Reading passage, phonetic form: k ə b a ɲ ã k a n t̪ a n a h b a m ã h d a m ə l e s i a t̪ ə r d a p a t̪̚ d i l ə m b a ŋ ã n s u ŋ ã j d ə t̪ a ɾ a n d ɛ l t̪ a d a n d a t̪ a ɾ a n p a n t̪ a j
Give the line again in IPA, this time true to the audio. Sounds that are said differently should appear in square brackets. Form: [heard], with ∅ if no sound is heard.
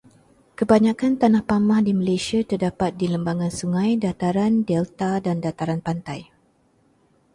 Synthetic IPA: k ə b a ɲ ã k a n t̪ a n a h [p] a m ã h d [i] m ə l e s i a t̪ ə r d a p a t̪̚ d i l ə m b a ŋ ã n s u ŋ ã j d [a] t̪ a ɾ a n d ɛ l t̪ a d a n d a t̪ a ɾ a n p a n t̪ a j